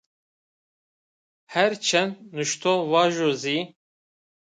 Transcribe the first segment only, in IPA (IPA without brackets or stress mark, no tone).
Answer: h